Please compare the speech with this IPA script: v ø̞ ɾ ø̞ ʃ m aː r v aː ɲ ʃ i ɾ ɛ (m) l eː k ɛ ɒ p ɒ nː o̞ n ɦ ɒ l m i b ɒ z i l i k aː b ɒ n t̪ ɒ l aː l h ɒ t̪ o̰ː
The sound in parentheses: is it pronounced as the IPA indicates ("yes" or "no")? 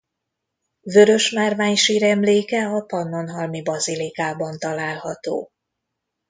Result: yes